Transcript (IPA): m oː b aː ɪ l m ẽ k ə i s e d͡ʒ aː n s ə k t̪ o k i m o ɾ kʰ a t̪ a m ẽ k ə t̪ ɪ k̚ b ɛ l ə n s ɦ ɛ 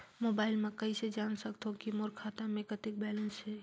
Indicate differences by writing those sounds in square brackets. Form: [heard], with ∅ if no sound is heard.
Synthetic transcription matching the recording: m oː b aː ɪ l m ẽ k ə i s e d͡ʒ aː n s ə k t̪ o k i m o ɾ kʰ a t̪ a m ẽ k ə t̪ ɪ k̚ b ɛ l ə n s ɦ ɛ